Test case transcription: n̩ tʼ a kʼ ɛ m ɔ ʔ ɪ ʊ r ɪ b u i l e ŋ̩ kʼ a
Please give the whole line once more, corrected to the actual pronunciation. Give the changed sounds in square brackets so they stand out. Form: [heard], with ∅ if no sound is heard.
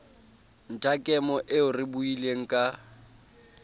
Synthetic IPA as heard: n̩ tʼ a kʼ ɛ m ɔ ʔ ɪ ʊ r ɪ b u i l e ŋ̩ kʼ a

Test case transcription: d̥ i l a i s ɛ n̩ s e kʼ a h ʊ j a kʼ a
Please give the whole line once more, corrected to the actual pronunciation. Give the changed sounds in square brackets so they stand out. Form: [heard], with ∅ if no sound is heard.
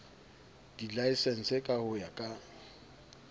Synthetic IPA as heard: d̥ i l a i s ɛ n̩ s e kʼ a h ʊ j a kʼ a

